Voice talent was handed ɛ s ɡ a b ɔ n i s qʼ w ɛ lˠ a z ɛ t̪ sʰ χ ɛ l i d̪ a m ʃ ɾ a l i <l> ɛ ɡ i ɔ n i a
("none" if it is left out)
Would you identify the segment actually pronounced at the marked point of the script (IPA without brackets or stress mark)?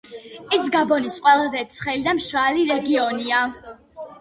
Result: ɾ